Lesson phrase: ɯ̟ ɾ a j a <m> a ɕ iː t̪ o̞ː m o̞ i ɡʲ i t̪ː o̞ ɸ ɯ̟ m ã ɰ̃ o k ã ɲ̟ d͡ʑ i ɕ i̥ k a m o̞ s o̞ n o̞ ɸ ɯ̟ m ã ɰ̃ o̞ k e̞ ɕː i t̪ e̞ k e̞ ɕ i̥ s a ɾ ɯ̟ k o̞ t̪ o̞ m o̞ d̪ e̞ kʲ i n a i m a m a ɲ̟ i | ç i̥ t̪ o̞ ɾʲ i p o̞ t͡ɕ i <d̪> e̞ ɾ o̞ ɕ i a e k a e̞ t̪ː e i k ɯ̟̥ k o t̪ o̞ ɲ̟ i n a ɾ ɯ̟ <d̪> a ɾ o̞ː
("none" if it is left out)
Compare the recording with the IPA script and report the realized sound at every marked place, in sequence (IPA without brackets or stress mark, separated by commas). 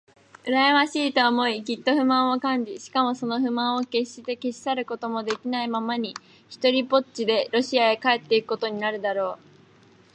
m, d̪, d̪